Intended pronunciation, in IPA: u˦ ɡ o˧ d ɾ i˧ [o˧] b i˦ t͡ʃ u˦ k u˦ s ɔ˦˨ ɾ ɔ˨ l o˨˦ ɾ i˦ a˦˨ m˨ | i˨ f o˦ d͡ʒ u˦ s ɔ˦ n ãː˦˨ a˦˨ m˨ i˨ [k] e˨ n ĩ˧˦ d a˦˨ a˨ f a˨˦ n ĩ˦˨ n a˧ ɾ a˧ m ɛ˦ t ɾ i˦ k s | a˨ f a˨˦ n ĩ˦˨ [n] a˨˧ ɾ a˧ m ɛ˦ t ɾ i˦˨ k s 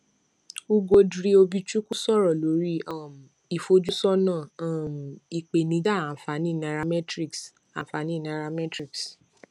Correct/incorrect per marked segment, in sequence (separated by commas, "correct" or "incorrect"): correct, incorrect, correct